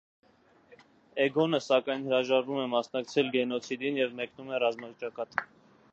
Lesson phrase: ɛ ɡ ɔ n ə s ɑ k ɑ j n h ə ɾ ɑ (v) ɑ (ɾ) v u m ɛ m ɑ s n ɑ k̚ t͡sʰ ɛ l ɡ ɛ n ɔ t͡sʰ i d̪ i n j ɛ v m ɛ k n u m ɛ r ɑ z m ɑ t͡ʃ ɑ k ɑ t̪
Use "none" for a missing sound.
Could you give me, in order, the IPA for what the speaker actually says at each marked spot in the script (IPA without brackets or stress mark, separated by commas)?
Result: ʒ, ɾ